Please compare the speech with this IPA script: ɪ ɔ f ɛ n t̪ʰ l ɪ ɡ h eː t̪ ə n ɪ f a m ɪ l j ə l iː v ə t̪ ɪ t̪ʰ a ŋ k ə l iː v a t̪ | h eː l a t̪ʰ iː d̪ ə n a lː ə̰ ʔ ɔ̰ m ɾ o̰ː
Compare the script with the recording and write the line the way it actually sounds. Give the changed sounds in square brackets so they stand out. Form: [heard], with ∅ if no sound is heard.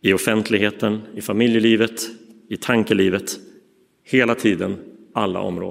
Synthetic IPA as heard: ɪ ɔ f ɛ n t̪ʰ l ɪ ɡ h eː t̪ ə n ɪ f a m ɪ l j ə l iː v ə t̪ ɪ t̪ʰ a ŋ k ə l iː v [ə] t̪ | h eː l a t̪ʰ iː d̪ ə n a lː [a̰] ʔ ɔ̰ m ɾ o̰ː